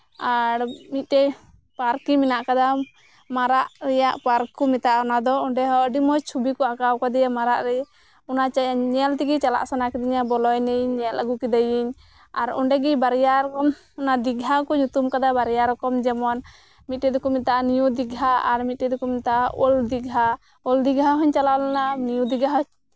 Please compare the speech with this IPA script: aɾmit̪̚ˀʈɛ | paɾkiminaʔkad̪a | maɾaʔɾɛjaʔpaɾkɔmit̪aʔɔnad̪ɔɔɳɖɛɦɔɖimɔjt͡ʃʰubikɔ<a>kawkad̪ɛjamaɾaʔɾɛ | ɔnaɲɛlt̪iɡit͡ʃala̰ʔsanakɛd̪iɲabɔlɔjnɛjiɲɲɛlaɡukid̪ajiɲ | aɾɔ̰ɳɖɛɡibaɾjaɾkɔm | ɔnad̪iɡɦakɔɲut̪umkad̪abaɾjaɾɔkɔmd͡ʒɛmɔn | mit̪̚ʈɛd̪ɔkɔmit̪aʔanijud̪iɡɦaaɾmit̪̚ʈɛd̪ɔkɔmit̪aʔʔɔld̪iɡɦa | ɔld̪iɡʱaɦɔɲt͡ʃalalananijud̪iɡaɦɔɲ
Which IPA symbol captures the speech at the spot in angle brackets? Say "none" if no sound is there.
a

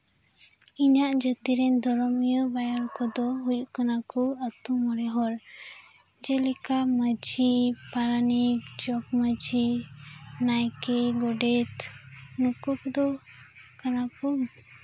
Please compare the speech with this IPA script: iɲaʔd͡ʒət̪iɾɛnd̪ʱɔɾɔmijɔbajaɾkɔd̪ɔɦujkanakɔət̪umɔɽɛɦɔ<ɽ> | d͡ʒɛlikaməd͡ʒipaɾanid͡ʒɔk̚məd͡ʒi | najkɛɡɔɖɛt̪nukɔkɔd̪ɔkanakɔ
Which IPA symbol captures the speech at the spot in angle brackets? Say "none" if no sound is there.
ɾ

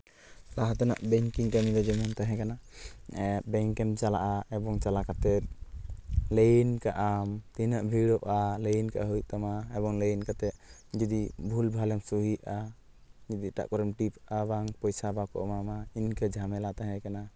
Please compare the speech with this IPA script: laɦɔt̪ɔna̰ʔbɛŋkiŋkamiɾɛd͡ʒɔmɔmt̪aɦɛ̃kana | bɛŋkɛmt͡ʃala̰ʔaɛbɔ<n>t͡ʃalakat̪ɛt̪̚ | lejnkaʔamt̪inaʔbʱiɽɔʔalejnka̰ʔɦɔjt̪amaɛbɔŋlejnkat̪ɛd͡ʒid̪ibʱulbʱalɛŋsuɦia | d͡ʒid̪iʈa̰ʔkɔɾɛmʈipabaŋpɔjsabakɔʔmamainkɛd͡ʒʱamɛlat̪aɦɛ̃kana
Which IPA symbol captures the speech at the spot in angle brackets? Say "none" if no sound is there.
ŋ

